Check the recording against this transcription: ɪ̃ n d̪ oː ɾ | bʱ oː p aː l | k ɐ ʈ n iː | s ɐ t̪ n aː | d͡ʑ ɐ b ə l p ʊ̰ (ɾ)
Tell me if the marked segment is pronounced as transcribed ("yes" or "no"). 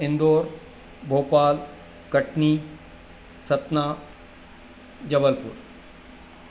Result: yes